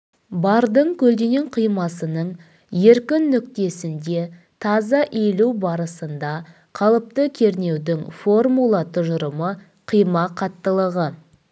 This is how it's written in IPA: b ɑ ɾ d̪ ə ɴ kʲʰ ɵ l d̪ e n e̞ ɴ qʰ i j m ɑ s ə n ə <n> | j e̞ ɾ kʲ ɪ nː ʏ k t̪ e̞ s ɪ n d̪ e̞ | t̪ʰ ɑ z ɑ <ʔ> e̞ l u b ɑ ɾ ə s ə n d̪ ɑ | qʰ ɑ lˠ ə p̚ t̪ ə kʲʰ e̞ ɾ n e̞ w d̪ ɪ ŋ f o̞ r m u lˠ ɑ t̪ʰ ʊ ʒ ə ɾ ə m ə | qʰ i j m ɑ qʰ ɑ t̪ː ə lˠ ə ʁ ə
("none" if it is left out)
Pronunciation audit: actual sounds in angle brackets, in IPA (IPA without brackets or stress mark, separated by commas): ɴ, ʔ